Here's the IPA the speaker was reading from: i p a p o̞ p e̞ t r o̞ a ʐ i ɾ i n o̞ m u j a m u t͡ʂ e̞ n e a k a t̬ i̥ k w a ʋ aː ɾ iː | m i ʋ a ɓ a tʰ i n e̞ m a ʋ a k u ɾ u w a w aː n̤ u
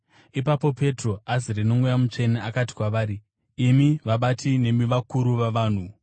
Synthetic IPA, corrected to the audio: i p a p o̞ p e̞ t r o̞ a z i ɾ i n o̞ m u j a m u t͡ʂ e̞ n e a k a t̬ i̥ k w a ʋ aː ɾ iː | m i ʋ a ɓ a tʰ i n e̞ m i ʋ a k u ɾ u ʋ a ʋ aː n̤ u